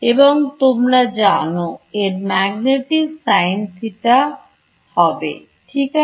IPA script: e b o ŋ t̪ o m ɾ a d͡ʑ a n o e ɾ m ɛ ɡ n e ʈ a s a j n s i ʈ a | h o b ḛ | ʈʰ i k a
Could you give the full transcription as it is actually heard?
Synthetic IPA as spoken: e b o ŋ t̪ o m ɾ a d͡ʑ a n o e ɾ m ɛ ɡ n e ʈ i s a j n s i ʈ a | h ɔ b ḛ | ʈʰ i k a